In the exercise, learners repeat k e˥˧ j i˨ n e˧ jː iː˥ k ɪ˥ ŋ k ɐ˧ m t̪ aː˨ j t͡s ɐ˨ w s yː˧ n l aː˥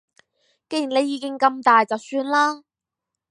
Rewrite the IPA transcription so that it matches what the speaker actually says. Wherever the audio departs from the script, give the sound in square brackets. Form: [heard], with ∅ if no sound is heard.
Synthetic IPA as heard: k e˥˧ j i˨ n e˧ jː [iː˨˧] k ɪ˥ ŋ k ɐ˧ m t̪ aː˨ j t͡s ɐ˨ w s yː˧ n l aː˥